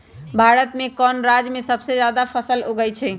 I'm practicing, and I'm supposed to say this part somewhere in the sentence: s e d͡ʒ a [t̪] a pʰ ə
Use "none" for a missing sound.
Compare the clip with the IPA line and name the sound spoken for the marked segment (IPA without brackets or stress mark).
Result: d̪